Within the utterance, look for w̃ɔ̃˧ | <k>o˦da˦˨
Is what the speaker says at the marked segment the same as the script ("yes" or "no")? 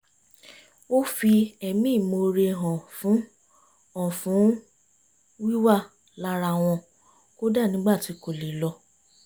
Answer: yes